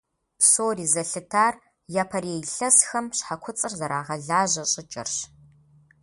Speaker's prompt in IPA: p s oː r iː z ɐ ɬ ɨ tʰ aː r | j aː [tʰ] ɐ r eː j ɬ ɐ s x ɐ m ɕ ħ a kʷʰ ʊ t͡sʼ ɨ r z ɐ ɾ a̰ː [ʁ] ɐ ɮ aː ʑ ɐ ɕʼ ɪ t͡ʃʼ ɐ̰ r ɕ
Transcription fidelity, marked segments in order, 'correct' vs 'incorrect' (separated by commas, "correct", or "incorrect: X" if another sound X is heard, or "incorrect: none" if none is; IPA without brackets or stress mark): incorrect: pʰ, correct